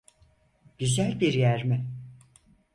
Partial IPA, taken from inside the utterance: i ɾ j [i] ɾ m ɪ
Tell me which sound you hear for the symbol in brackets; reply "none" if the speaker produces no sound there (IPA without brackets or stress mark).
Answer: æ